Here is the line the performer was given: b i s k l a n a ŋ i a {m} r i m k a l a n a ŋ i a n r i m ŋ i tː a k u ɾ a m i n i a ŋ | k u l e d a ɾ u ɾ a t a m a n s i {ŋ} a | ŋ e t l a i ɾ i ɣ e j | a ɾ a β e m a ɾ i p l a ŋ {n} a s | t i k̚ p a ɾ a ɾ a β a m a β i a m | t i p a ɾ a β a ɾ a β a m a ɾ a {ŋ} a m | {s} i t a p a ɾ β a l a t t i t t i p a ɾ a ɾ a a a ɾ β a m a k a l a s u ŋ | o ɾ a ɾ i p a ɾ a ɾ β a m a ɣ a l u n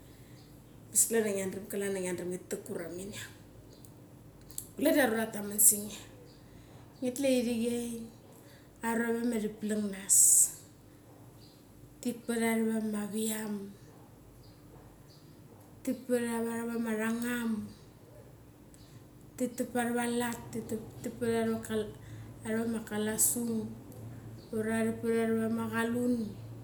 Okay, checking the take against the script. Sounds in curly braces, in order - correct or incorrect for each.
incorrect, correct, correct, correct, incorrect

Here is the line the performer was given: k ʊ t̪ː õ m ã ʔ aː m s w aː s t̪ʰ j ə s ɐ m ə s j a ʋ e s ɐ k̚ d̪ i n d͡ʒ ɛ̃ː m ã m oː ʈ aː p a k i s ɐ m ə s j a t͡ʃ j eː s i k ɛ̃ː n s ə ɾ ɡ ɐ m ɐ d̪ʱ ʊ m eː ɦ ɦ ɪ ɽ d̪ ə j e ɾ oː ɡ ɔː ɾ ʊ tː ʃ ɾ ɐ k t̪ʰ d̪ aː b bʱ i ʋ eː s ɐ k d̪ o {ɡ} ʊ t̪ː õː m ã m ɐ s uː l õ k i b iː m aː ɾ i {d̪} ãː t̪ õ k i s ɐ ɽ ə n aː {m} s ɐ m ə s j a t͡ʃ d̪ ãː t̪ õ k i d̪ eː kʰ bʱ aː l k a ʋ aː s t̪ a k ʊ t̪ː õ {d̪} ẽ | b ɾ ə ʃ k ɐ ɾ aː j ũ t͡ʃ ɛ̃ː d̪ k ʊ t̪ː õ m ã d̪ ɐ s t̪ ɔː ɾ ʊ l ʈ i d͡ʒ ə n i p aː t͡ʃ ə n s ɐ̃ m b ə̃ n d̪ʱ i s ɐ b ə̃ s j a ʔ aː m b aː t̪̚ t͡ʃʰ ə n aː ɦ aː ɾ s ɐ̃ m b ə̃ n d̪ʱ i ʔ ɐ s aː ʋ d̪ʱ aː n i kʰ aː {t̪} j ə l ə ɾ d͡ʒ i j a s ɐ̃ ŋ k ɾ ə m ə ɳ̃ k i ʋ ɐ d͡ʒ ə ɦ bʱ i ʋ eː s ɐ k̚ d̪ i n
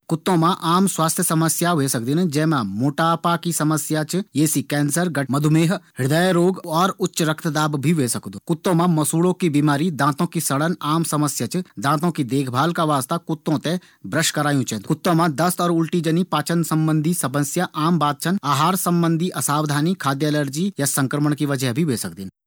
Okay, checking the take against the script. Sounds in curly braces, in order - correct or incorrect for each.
incorrect, correct, correct, incorrect, incorrect

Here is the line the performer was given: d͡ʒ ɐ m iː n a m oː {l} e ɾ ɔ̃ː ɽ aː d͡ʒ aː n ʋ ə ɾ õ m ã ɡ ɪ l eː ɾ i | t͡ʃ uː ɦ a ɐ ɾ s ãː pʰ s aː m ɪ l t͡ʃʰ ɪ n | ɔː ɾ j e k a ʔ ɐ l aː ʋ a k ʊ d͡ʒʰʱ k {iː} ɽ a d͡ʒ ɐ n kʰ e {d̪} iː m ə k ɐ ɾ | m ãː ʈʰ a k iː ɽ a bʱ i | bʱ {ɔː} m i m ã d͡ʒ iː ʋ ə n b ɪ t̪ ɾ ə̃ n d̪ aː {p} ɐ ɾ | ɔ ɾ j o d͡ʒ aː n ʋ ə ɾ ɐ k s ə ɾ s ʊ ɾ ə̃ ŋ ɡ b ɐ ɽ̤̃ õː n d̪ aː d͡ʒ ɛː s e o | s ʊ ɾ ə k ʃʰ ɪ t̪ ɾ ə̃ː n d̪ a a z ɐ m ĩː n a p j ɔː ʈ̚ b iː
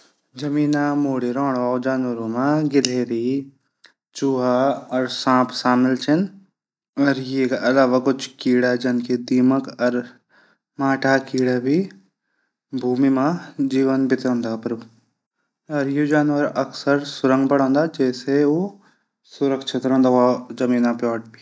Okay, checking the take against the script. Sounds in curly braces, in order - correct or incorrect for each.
incorrect, correct, correct, incorrect, correct

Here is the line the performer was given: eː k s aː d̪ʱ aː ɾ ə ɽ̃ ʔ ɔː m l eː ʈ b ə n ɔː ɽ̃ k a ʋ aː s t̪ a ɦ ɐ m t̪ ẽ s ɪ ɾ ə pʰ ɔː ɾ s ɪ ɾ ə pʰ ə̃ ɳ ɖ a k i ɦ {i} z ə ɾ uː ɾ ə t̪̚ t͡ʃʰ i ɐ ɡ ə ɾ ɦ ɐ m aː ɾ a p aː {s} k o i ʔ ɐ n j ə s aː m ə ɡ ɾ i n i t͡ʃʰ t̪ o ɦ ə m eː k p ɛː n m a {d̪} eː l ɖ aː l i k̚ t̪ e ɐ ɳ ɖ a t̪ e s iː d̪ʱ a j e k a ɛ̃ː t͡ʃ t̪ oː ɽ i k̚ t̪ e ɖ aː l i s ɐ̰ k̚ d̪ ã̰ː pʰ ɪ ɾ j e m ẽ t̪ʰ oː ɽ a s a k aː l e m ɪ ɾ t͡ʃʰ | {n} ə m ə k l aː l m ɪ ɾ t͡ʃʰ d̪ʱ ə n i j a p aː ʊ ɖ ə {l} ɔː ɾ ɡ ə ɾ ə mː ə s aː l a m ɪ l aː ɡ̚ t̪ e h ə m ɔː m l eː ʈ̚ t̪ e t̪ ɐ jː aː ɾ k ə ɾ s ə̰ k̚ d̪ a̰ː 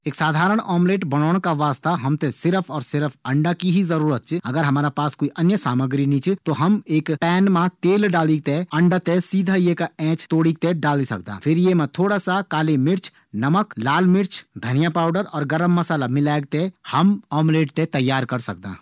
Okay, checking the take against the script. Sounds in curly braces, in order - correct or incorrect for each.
correct, correct, incorrect, correct, incorrect

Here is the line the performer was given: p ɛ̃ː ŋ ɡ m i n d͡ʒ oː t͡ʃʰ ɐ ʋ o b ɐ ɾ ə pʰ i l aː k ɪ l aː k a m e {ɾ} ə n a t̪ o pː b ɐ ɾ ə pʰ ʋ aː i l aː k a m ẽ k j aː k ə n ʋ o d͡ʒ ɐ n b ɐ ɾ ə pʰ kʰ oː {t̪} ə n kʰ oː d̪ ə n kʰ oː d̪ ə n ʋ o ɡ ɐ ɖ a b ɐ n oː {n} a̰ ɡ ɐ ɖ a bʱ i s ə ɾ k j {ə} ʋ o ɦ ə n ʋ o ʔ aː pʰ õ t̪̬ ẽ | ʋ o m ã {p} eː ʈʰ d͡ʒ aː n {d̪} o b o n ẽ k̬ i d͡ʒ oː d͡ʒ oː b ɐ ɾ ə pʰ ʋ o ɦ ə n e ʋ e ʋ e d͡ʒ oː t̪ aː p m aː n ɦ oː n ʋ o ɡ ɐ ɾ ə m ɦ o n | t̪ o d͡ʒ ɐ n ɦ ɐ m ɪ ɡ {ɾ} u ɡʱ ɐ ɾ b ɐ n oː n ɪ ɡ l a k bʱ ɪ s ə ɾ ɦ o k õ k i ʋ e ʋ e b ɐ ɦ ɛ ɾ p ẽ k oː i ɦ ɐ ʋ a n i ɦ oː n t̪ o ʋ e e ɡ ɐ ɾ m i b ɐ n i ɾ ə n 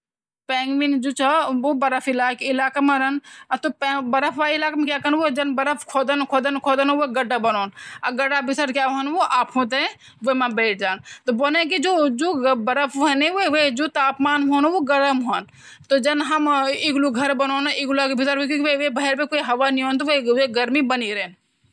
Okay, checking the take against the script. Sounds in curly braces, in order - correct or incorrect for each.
correct, incorrect, correct, incorrect, incorrect, incorrect, incorrect

